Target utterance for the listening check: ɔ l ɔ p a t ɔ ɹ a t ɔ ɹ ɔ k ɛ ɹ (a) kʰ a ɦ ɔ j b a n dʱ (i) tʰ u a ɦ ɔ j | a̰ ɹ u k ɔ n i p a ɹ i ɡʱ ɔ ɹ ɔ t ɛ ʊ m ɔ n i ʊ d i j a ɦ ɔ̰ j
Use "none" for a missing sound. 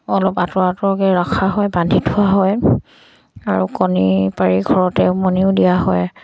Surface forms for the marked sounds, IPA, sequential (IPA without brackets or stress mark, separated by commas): a, i